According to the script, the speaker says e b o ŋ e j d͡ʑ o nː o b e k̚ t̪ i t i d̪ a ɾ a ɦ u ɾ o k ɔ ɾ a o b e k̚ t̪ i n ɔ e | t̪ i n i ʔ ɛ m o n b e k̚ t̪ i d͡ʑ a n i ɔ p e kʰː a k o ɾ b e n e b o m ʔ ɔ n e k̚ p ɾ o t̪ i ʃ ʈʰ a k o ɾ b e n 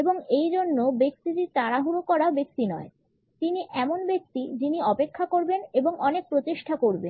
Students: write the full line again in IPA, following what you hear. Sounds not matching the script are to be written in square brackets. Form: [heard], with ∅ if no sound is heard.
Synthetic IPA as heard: e b o ŋ e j d͡ʑ o nː o b e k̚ t̪ i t i [t̪] a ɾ a ɦ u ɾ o k ɔ ɾ a o b e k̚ t̪ i n ɔ e | t̪ i n i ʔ ɛ m o n b e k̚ t̪ i d͡ʑ [i] n i ɔ p e kʰː a k o ɾ b e n e b o [ŋ] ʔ ɔ n e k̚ p ɾ o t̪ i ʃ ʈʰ a k o ɾ b e n